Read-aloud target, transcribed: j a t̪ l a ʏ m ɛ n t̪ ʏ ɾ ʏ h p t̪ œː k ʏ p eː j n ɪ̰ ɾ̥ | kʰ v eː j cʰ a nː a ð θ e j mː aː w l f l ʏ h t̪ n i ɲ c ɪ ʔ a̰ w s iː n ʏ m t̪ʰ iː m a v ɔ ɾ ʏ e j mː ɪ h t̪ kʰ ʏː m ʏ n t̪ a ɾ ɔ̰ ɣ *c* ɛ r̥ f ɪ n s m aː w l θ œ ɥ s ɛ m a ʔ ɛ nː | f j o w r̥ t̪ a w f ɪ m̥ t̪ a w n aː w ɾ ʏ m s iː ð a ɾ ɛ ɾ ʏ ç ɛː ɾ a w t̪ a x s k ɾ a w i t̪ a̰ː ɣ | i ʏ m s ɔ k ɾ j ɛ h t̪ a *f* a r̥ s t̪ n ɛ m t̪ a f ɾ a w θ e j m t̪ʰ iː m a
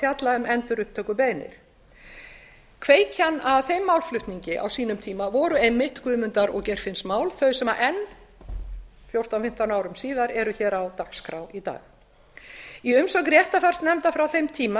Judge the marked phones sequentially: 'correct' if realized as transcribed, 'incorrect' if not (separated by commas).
correct, correct